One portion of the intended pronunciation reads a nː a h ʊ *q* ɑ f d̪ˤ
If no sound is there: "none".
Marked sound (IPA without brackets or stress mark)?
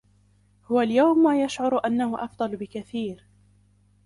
ʔ